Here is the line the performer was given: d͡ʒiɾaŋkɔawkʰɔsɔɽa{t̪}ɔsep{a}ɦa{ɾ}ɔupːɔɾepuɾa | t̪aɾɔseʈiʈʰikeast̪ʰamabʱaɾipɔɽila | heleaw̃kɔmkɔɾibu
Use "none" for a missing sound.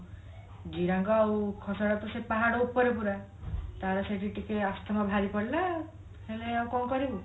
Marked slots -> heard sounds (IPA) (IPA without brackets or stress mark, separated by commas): t̪, a, ɽ